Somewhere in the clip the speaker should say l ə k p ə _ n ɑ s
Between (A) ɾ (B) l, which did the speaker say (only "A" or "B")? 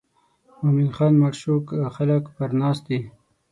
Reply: A